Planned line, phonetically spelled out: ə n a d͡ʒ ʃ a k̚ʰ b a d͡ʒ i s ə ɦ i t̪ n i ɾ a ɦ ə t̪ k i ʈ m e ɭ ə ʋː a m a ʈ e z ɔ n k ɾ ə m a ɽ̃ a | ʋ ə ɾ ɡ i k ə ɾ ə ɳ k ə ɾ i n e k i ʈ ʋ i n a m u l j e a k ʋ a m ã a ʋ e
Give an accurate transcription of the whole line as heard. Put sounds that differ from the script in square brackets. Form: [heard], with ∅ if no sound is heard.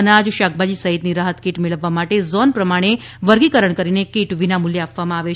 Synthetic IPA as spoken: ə n a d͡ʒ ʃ a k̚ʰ b a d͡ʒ i s ə ɦ i t̪ n i ɾ a ɦ ə t̪ k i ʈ m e ɭ ə ʋː a m a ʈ e z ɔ n [p] ɾ ə m a ɽ̃ [e] | ʋ ə ɾ ɡ i k ə ɾ ə ɳ k ə ɾ i n e k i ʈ ʋ i n a m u l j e a [p] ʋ a m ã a ʋ e